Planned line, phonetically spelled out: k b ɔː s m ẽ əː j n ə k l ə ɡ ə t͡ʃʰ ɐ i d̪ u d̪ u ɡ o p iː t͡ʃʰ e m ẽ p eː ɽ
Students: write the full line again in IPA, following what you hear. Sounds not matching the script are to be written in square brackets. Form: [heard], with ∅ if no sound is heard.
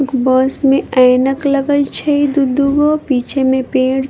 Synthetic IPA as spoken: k b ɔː s m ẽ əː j n ə k l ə ɡ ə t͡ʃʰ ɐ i d̪ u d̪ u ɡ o p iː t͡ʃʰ e m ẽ p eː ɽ